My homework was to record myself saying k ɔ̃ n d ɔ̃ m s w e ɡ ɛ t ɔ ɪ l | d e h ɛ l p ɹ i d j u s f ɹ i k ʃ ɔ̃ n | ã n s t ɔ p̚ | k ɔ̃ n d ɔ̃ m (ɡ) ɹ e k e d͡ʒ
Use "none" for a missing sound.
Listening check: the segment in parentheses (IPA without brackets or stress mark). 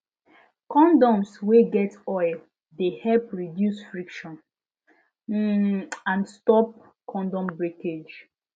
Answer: b